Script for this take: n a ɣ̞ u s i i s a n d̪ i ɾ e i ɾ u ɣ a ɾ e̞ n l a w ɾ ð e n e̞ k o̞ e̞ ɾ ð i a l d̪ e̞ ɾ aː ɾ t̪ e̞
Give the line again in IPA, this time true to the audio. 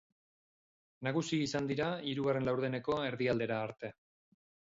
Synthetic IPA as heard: n a ɣ̞ u s i i s a n d̪ i ɾ a i ɾ u ɣ a r e̞ n l a w ɾ ð e n e̞ k o̞ e̞ ɾ ð i a l d̪ e̞ ɾ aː ɾ t̪ e̞